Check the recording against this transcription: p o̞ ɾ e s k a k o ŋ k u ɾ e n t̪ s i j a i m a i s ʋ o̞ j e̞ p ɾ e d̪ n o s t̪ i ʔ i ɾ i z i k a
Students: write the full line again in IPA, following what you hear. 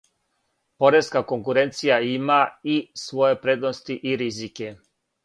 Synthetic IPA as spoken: p o̞ ɾ e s k a k o ŋ k u ɾ e n t̪ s i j a i m a i s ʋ o̞ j e̞ p ɾ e d̪ n o s t̪ i ʔ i ɾ i z i k e